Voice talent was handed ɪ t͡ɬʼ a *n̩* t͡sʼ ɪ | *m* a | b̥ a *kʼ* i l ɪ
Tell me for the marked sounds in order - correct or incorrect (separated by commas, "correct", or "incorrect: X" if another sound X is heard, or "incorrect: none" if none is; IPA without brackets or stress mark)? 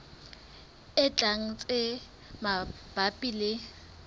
incorrect: ŋ̩, correct, incorrect: pʼ